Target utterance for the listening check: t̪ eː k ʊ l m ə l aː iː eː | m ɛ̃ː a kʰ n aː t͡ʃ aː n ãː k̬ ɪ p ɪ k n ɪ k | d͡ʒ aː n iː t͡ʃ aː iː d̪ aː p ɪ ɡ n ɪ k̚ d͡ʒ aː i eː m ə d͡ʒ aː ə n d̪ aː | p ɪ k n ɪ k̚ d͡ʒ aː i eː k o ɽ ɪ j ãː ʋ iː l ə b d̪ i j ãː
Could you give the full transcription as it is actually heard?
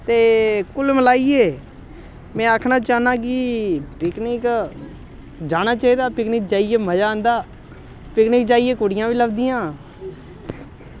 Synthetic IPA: t̪ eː k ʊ l m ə l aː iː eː | m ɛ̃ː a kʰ n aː t͡ʃ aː n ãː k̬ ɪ p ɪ k n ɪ k | d͡ʒ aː n aː t͡ʃ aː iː d̪ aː p ɪ k n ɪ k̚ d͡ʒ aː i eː m ə d͡ʒ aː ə n d̪ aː | p ɪ k n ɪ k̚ d͡ʒ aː i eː k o ɽ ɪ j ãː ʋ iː l ə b d̪ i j ãː